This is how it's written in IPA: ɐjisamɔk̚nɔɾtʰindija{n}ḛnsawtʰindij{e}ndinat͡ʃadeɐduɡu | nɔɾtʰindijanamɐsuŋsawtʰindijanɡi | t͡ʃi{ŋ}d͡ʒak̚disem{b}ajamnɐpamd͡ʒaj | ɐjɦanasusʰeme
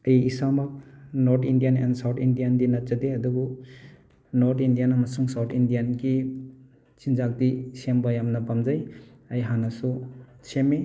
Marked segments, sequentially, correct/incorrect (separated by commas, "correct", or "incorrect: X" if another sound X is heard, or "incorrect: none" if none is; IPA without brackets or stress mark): correct, incorrect: a, incorrect: n, correct